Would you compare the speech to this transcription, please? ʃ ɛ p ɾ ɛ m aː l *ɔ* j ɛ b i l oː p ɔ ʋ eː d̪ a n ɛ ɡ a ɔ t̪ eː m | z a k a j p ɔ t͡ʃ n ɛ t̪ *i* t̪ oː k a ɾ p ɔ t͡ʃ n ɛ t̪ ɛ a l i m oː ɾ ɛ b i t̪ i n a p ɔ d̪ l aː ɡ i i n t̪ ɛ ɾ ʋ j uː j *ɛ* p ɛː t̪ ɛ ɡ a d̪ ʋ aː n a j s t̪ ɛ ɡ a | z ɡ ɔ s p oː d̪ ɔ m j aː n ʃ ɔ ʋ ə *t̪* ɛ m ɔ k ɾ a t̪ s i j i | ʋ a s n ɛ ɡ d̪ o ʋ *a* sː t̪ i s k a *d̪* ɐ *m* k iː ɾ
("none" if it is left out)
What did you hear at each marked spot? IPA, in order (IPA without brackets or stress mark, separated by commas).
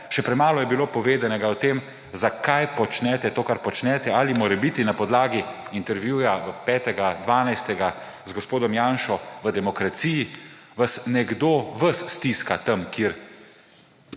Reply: ɔ, ɛ, a, d̪, ə, t̪, m